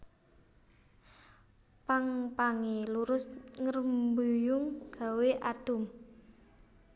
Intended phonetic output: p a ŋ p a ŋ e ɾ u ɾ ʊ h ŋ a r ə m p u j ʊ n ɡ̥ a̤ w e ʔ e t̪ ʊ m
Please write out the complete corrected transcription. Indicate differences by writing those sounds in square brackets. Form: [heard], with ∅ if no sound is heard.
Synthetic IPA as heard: p a ŋ p a ŋ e [l] u ɾ ʊ [s] ŋ [ə] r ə m [b] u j ʊ [ŋ] ɡ̥ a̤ w e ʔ [a] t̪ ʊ m